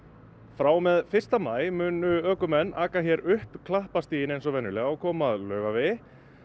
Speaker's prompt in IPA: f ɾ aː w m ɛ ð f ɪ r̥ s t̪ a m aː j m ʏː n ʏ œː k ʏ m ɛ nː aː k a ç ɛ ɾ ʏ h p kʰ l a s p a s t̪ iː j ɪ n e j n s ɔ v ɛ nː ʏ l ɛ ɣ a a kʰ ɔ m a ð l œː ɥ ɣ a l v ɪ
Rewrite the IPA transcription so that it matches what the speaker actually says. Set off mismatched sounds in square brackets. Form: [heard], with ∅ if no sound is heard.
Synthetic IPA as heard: f ɾ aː w m ɛ ð f ɪ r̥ s t̪ a m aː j m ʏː n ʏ œː k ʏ m ɛ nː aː k a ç ɛ ɾ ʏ h p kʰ l a [h] p a s t̪ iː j ɪ n e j n s ɔ v ɛ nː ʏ l ɛ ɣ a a kʰ [ɔː] m a ð l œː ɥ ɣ a [∅] v ɪ